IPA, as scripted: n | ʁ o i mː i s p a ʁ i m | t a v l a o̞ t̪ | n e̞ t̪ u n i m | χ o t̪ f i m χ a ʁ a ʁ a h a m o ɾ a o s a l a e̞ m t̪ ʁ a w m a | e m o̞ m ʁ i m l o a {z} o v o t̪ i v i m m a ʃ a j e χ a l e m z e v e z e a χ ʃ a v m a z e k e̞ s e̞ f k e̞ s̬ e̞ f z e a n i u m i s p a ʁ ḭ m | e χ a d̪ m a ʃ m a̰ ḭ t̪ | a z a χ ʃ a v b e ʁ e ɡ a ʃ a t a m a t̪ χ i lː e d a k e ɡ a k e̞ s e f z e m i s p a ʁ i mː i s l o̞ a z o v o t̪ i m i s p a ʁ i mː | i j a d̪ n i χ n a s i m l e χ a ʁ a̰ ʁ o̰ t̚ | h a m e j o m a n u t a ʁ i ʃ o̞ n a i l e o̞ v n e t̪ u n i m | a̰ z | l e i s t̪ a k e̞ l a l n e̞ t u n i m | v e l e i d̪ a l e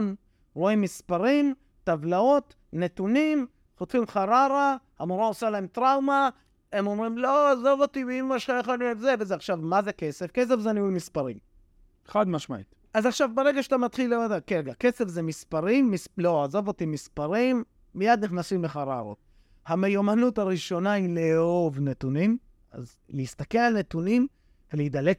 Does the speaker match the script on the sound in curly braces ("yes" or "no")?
yes